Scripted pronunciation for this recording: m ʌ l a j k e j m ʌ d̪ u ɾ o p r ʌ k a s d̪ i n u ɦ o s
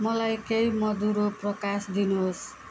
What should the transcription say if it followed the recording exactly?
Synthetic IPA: m ʌ l a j k e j m ʌ d̪ u ɾ o p r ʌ k a s d̪ i n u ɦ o s